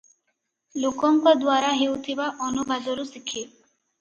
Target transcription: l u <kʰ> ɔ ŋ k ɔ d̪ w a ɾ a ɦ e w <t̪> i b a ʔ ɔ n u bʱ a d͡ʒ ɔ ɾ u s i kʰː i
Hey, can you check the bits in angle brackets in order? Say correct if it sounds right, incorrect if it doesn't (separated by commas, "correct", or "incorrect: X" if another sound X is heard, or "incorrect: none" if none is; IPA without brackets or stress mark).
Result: incorrect: k, incorrect: t̪ʰ